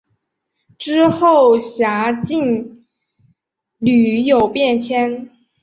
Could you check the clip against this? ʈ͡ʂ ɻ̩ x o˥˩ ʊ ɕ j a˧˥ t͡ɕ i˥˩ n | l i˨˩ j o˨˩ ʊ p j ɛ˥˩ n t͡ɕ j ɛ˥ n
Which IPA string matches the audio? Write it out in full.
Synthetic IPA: ʈ͡ʂ ɻ̩ x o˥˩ ʊ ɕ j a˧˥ t͡ɕ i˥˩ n | l y˨˩ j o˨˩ ʊ p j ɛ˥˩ n t͡ɕʰ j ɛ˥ n

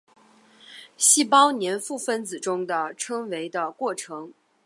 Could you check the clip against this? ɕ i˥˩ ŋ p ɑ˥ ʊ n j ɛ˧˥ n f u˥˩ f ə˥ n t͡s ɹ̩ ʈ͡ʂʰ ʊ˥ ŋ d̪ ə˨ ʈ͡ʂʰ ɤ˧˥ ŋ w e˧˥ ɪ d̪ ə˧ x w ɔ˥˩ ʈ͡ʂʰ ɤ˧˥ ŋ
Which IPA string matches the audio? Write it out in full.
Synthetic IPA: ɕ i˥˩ p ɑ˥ ʊ n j ɛ˧˥ n f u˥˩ f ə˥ n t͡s ɹ̩ ʈ͡ʂ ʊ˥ ŋ d̪ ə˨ ʈ͡ʂʰ ɤ˥ ŋ w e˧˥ ɪ d̪ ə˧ k w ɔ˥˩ ʈ͡ʂʰ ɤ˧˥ ŋ

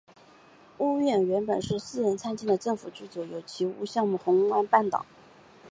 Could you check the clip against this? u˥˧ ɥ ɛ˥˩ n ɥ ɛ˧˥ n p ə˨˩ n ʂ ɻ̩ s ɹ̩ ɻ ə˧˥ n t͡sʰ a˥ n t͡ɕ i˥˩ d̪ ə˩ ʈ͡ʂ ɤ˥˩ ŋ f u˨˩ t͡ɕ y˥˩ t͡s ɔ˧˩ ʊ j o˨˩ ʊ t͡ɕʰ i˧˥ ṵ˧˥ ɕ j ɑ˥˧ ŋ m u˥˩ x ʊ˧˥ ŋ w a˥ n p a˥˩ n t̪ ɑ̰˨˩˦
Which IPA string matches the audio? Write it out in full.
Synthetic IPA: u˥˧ ɥ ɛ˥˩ n ɥ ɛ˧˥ n p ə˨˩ n ʂ ɻ̩ s ɹ̩ ɻ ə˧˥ n t͡sʰ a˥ n t͡ɕ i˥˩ d̪ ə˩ ʈ͡ʂ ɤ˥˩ ŋ f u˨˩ t͡ɕ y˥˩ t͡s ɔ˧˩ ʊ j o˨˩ ʊ t͡ɕʰ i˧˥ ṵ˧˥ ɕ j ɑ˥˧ ŋ m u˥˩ x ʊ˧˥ ŋ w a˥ n p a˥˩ n t̪ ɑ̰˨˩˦

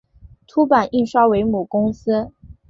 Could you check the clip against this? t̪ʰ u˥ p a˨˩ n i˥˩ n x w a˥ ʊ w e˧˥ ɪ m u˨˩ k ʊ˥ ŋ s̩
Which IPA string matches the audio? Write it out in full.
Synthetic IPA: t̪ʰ u˥ p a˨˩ n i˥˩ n ʂ w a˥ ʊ w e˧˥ ɪ m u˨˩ k ʊ˥ ŋ s̩

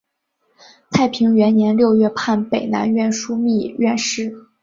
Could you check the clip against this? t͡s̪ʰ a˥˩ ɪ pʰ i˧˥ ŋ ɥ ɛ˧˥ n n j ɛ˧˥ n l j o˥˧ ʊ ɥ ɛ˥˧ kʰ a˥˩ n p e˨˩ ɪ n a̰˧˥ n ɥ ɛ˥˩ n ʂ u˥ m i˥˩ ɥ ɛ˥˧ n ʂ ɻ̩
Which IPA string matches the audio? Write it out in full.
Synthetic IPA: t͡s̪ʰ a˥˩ ɪ pʰ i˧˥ ŋ ɥ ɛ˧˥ n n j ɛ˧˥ n l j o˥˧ ʊ ɥ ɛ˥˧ pʰ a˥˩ n p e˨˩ ɪ n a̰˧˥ n ɥ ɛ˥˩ n ʂ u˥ m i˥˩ ɥ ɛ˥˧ n ʂ ɻ̩

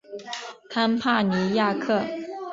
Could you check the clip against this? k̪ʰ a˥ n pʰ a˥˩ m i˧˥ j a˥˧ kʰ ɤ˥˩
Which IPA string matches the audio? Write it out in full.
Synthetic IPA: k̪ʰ a˥ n pʰ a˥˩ n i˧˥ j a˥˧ kʰ ɤ˥˩

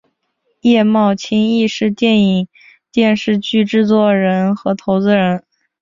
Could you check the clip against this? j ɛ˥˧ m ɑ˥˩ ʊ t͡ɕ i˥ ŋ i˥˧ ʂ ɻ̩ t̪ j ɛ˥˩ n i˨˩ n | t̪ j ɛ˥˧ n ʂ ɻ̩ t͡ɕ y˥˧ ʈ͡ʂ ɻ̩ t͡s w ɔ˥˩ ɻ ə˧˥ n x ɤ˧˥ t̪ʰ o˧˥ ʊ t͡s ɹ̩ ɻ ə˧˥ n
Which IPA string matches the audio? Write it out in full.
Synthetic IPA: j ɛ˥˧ m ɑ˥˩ ʊ t͡ɕʰ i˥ ŋ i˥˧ ʂ ɻ̩ t̪ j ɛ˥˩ n i˨˩ ŋ | t̪ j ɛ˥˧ n ʂ ɻ̩ t͡ɕ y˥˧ ʈ͡ʂ ɻ̩ t͡s w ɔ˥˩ ɻ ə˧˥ n x ɤ˧˥ t̪ʰ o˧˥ ʊ t͡s ɹ̩ ɻ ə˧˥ n

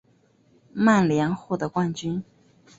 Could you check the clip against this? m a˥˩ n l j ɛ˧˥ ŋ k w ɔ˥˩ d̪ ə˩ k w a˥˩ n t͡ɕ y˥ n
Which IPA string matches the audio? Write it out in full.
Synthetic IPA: m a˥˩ n l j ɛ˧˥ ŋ x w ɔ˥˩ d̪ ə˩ k w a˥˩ n t͡ɕ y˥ n

